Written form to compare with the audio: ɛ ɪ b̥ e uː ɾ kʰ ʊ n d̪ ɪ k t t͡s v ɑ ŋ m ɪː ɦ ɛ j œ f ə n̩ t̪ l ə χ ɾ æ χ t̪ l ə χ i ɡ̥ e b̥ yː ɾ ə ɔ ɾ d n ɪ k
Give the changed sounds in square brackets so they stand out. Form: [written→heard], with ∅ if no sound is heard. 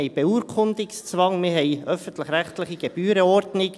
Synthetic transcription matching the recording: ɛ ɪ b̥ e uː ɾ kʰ ʊ n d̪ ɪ k [t→s] t͡s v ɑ ŋ m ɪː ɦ ɛ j œ f ə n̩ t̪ l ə χ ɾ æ χ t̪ l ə χ i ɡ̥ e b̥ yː ɾ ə ɔ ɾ d n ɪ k